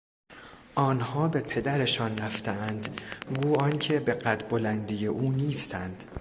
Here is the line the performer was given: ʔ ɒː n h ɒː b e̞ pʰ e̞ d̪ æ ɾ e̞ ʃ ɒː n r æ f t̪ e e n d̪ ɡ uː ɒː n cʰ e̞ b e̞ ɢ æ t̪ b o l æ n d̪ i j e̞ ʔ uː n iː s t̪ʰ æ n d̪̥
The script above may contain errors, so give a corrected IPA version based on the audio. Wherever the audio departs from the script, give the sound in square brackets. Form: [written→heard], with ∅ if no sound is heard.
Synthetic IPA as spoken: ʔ ɒː n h ɒː b e̞ pʰ e̞ d̪ æ ɾ e̞ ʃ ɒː n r æ f t̪ e [e→æ] n d̪ ɡ uː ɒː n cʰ e̞ b e̞ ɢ æ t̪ b o l æ n d̪ i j e̞ ʔ uː n iː s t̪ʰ æ n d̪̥